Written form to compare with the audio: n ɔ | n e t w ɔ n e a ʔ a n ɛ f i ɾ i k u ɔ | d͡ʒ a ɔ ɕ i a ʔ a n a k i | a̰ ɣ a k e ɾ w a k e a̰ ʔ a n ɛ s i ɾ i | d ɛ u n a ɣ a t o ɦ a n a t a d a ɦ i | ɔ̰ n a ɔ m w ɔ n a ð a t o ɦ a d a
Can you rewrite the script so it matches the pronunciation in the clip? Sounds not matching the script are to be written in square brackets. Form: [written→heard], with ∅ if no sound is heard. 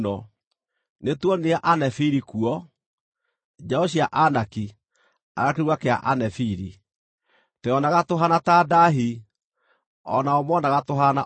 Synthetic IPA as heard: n ɔ | n e t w ɔ n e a ʔ a n ɛ f i ɾ i k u ɔ | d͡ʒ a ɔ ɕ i a ʔ a n a k i | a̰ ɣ a k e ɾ w a k e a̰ ʔ a n ɛ [s→f] i ɾ i | [d→t] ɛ [u→ɔ] n a ɣ a t o ɦ a n a t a d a ɦ i | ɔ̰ n a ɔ m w ɔ n a [ð→ɣ] a t o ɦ a [d→n] a